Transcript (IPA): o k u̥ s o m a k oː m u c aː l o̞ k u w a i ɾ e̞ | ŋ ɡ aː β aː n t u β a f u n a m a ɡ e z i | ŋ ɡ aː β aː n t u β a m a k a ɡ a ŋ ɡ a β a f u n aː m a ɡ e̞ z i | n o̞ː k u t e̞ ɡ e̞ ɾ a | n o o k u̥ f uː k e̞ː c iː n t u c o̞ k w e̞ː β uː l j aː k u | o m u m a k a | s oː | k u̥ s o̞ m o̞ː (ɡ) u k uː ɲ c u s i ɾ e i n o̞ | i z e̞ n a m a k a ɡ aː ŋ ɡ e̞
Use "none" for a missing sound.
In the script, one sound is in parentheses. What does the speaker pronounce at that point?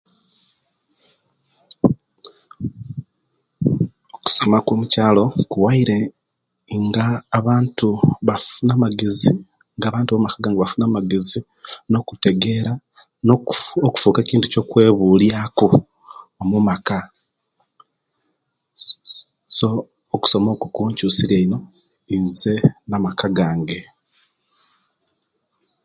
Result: k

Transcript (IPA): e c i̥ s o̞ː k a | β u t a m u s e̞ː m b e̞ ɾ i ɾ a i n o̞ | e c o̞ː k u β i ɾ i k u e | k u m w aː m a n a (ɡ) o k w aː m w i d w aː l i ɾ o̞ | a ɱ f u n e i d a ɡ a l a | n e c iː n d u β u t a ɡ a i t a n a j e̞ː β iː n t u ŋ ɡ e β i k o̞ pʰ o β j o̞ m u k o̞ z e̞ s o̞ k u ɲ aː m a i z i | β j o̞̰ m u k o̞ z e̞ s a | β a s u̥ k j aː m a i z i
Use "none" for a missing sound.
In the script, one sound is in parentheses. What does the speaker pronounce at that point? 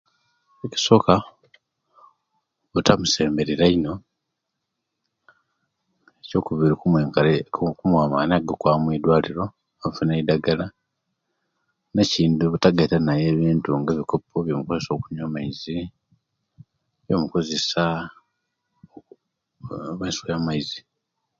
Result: ɡ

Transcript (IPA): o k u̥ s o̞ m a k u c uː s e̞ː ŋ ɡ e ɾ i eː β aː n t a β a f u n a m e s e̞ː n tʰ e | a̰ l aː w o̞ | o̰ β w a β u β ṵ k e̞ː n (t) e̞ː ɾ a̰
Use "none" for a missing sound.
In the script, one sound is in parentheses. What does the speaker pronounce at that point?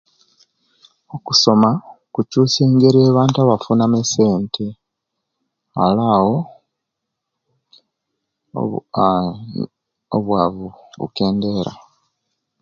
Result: d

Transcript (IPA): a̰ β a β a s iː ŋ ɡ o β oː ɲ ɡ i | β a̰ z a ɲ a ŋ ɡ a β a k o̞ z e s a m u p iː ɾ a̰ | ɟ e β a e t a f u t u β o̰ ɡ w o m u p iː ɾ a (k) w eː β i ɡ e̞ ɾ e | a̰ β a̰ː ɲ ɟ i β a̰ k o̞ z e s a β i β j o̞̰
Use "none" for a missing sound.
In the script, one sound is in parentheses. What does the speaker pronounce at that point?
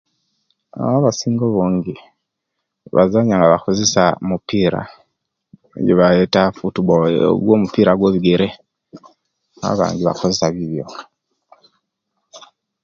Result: ɡ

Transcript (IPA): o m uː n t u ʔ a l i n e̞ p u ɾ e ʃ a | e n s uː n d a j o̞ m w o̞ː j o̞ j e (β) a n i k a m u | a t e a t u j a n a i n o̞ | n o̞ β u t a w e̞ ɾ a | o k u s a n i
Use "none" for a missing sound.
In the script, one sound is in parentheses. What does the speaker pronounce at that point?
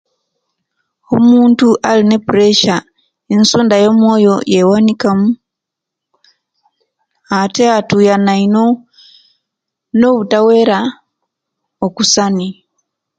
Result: w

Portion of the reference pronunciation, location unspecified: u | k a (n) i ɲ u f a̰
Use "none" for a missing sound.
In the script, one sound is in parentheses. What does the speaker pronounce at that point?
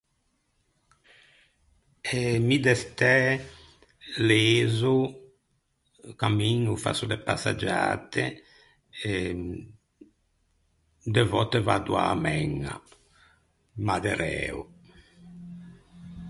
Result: m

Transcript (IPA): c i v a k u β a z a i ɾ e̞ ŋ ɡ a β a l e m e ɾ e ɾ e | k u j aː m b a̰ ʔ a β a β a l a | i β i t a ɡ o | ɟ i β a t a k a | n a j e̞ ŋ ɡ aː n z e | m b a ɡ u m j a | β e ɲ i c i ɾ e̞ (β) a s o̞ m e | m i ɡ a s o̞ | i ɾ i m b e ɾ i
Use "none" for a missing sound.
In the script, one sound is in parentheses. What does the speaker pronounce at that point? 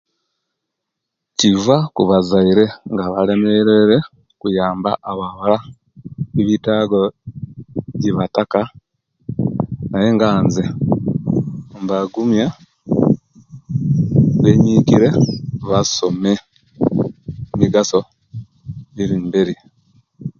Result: β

